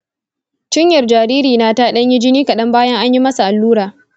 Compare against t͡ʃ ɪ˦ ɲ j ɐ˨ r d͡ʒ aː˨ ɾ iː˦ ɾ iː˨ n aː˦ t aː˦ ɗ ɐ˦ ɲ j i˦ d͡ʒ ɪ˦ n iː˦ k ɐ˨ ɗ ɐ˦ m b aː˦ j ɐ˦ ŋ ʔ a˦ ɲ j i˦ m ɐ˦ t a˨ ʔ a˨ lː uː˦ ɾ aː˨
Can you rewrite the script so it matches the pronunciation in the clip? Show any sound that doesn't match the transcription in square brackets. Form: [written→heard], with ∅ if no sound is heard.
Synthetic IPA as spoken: t͡ʃ ɪ˦ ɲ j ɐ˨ r d͡ʒ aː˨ ɾ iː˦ ɾ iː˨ n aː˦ t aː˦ ɗ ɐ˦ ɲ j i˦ d͡ʒ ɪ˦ n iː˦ k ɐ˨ ɗ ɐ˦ m b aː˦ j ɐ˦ ŋ ʔ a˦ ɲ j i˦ m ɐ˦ [t→s] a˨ ʔ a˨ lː uː˦ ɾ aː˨